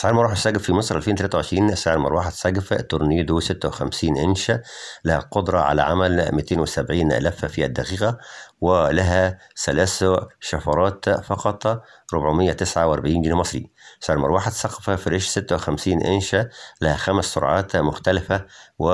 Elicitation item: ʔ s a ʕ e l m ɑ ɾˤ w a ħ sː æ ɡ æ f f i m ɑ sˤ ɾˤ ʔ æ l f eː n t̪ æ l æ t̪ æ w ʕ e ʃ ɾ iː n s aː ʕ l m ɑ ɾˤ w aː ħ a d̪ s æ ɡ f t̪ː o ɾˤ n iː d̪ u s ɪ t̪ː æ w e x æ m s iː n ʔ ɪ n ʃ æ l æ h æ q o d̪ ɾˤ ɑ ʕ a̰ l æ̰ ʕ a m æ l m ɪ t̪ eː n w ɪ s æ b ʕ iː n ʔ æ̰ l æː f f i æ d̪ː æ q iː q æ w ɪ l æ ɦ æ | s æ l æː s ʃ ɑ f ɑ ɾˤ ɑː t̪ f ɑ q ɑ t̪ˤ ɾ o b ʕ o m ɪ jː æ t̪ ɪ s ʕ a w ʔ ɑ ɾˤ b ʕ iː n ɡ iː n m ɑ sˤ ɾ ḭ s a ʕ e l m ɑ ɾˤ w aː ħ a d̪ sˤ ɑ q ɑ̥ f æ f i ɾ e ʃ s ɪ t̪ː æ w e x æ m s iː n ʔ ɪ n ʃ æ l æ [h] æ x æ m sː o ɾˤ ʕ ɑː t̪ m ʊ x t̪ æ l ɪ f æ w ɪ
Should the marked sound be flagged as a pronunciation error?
no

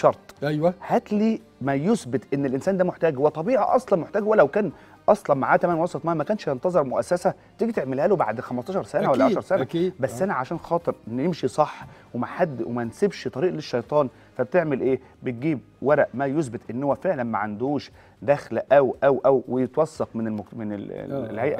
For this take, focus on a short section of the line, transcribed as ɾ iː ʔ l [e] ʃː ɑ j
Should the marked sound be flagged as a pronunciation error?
no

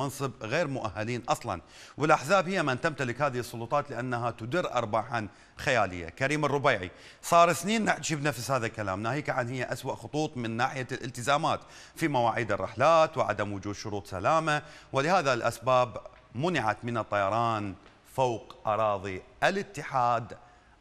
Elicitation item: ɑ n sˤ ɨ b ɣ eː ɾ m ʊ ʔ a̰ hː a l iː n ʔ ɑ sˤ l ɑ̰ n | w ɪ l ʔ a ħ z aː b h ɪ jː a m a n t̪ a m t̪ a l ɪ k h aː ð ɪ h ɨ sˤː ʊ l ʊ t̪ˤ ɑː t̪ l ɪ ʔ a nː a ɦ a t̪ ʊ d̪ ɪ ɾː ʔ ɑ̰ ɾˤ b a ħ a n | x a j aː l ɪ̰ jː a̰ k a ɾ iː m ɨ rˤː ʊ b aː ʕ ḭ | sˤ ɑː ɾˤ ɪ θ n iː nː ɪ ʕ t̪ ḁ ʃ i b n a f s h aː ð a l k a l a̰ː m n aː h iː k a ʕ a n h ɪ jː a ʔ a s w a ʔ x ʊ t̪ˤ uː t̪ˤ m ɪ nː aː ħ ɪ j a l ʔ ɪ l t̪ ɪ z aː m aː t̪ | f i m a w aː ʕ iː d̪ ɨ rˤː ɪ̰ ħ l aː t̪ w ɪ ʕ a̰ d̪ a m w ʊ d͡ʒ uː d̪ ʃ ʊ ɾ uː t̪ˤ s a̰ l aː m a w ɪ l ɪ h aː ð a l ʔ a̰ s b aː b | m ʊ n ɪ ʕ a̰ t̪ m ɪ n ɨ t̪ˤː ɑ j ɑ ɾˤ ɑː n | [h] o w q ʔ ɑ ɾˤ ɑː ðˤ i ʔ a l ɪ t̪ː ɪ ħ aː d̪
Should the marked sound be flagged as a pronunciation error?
yes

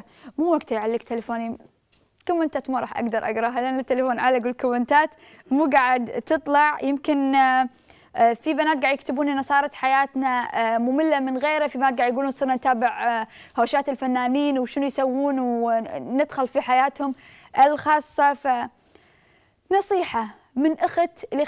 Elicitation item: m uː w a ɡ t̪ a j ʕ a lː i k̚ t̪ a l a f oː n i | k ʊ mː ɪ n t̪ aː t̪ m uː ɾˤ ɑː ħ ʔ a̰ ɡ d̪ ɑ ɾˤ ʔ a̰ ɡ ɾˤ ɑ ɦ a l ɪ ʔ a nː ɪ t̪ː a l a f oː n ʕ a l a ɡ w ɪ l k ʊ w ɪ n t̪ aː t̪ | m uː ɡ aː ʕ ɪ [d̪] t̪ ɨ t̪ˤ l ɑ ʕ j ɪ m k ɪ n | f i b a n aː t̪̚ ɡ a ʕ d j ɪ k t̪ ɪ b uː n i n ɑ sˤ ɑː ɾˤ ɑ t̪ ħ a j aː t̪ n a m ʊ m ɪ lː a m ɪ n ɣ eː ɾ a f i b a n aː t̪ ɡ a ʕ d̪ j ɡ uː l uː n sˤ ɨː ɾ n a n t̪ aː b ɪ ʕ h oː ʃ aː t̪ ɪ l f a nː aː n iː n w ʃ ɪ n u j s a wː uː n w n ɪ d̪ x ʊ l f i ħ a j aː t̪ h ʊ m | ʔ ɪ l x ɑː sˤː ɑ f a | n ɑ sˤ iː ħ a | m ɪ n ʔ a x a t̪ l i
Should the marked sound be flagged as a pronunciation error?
no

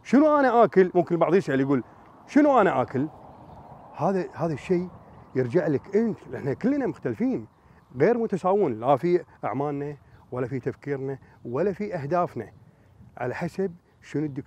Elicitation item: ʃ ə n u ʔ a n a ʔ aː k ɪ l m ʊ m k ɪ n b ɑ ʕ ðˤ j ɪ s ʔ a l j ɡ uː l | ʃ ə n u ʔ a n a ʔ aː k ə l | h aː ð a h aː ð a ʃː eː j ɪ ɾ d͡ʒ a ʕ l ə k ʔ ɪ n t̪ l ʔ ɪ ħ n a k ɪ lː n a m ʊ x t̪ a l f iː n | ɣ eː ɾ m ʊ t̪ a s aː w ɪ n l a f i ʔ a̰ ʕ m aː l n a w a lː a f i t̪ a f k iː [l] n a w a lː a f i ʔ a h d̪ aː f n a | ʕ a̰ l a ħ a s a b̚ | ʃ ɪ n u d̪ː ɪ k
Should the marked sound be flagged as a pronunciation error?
yes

